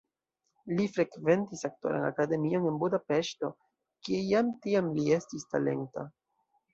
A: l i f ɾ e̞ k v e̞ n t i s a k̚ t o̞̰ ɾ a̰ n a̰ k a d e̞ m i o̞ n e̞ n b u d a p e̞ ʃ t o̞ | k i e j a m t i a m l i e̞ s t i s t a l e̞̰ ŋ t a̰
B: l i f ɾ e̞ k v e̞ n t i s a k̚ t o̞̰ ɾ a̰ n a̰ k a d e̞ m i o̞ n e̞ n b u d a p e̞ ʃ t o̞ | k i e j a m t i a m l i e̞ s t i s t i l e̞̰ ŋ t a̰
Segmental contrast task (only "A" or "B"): A